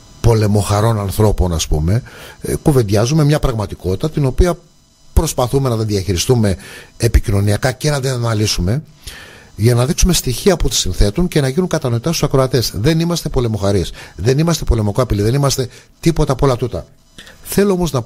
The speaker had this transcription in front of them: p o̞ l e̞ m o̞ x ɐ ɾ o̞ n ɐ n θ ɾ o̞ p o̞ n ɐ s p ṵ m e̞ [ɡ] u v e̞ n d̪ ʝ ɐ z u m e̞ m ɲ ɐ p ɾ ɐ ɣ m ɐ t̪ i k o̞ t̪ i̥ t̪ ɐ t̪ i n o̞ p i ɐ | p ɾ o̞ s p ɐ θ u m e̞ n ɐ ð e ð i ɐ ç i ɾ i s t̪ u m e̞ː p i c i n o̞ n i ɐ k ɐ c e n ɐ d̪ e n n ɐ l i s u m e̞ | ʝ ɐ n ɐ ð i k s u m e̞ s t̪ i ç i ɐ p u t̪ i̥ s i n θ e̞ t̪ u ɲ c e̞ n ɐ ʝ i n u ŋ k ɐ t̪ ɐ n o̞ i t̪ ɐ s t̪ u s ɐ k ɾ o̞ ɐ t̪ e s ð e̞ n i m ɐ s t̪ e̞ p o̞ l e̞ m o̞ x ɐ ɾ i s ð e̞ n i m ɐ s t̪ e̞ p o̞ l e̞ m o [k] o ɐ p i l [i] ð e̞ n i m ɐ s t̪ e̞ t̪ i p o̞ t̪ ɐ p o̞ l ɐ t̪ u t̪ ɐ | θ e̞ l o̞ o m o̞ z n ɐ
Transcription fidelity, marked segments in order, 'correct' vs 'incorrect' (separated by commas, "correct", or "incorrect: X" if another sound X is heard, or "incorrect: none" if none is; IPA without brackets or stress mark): incorrect: k, correct, correct